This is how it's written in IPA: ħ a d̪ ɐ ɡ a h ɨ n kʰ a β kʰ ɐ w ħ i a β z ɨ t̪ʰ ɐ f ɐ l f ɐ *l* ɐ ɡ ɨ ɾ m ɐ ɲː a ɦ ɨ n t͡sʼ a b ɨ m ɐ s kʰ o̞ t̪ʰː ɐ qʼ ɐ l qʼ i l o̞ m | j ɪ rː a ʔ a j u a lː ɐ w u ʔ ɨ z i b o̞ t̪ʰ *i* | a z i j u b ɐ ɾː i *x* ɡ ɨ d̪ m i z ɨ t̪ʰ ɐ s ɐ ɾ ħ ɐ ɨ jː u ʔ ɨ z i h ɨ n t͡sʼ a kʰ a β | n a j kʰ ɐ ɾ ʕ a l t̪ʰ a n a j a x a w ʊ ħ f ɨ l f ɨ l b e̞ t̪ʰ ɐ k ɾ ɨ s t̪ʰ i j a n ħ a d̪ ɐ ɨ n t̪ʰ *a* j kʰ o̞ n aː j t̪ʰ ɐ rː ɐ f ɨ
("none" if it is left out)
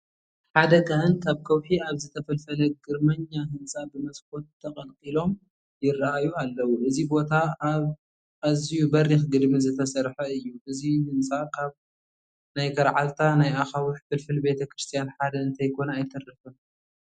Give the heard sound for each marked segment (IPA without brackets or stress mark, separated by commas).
l, a, x, ɐ